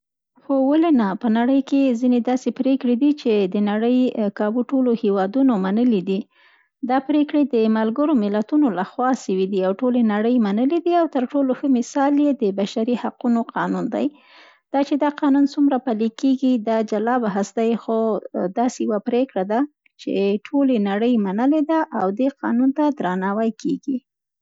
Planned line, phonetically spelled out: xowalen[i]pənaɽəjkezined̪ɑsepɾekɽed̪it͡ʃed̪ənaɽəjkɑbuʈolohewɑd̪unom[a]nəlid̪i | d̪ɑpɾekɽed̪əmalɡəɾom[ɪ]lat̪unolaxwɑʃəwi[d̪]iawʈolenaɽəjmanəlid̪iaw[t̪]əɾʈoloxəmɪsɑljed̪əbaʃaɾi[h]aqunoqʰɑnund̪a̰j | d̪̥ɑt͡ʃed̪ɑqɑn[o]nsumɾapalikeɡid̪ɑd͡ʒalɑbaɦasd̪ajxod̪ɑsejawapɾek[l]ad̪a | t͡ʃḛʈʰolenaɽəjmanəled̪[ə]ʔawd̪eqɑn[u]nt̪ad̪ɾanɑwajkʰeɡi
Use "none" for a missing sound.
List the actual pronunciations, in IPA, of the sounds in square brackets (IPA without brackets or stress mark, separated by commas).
a, a, ɪ, d̪, t̪, h, u, ɽ, a, u